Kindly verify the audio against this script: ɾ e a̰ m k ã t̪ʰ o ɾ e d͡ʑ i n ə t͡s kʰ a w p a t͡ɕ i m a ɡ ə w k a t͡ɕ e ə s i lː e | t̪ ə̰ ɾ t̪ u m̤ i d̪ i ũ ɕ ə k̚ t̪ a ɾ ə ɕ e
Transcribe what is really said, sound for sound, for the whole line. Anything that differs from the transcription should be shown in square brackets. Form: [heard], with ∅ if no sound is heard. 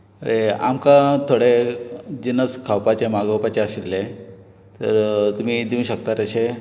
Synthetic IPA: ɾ e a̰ m k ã t̪ʰ o [ɽ] e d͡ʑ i n ə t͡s kʰ a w p a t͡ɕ [e] m a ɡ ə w [p] a t͡ɕ e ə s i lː e | t̪ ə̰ ɾ t̪ u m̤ i d̪ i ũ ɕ ə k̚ t̪ a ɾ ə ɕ e